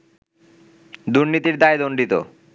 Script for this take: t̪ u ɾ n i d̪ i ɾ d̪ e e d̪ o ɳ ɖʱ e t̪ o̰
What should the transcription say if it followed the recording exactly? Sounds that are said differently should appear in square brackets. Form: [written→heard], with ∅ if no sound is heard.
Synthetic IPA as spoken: [t̪→d̪] u ɾ n i [d̪→t̪] i ɾ d̪ [e→a] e d̪ o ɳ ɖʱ [e→i] t̪ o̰